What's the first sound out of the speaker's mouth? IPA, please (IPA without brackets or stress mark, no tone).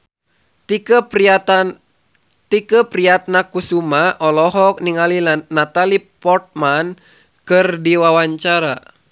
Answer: t̪